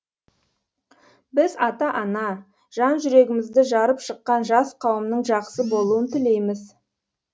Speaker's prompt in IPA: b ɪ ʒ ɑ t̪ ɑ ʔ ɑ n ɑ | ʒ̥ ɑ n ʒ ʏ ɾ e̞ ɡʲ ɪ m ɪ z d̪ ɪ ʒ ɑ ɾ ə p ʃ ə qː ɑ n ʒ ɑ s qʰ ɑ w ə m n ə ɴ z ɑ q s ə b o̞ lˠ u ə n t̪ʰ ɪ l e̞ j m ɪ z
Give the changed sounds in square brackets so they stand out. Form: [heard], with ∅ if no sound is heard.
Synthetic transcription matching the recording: b ɪ [z] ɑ t̪ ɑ ʔ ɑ n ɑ | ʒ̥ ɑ n ʒ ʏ ɾ e̞ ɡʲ ɪ m ɪ z d̪ ɪ ʒ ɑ ɾ ə p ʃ ə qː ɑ n ʒ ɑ s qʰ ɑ w ə m n ə ɴ [ʒ] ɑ q s ə b o̞ lˠ u ə n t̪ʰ ɪ l e̞ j m ɪ z